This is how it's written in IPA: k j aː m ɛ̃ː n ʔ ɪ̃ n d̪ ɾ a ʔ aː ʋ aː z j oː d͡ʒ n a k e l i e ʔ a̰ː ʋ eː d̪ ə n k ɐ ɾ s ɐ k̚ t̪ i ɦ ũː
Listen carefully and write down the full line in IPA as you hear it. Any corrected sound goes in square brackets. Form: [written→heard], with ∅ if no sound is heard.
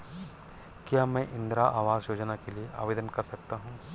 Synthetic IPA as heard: k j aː m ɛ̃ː [n→∅] ʔ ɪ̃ n d̪ ɾ a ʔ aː ʋ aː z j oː d͡ʒ n a k e l i e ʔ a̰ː ʋ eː d̪ ə n k ɐ ɾ s ɐ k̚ t̪ [i→a] ɦ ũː